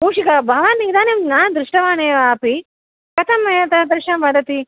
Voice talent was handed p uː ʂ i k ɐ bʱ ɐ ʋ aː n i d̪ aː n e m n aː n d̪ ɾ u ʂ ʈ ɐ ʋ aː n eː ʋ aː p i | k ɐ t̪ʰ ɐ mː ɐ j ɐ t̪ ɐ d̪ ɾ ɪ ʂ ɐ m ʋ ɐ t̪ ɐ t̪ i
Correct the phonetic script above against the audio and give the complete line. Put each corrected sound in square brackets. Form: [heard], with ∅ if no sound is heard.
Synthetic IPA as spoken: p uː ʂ i k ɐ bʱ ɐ ʋ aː n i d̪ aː n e m n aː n d̪ ɾ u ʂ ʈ ɐ ʋ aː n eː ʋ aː p i | k ɐ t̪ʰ ɐ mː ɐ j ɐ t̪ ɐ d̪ ɾ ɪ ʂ ɐ m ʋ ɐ [d̪] ɐ t̪ i